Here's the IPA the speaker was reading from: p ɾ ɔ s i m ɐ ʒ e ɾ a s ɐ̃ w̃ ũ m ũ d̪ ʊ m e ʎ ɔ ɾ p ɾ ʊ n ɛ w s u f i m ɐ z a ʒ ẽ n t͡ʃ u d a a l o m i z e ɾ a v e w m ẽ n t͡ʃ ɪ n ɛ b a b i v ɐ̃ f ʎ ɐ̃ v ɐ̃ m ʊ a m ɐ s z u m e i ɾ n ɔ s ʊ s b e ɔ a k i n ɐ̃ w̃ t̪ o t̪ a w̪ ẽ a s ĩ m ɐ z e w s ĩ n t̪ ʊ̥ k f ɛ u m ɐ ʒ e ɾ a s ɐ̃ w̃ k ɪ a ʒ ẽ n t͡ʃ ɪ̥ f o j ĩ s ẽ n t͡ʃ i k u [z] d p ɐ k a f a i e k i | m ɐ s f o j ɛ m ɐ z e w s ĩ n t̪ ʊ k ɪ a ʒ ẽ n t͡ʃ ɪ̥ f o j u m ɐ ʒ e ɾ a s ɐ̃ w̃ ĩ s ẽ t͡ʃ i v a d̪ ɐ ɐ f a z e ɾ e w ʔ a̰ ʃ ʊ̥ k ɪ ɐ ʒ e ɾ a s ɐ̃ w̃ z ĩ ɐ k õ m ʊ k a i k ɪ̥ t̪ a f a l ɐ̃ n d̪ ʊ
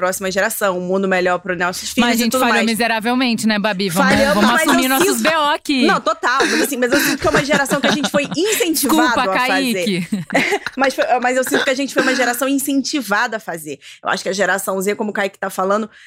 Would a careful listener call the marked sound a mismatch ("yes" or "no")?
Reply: yes